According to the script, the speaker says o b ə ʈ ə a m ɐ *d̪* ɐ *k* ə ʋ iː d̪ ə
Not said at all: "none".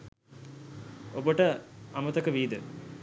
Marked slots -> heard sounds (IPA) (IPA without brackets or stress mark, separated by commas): t̪, k